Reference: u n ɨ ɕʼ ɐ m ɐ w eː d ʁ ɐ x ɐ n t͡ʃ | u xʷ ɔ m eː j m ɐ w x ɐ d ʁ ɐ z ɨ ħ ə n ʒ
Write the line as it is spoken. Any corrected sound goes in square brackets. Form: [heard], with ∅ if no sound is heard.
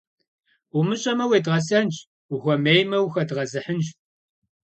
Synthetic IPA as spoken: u [m] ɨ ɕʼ ɐ m ɐ w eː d ʁ ɐ [s] ɐ n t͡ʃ | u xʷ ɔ m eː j m ɐ w x ɐ d ʁ ɐ z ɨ ħ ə n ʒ